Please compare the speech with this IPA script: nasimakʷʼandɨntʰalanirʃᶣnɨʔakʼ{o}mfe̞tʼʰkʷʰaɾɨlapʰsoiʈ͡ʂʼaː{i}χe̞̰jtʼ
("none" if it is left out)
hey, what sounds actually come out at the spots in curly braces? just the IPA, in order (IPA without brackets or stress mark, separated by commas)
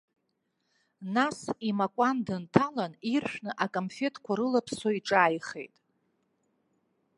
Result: o, j